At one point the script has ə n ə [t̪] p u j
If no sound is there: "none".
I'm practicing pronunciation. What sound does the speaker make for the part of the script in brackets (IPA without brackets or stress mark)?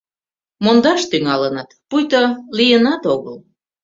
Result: t̪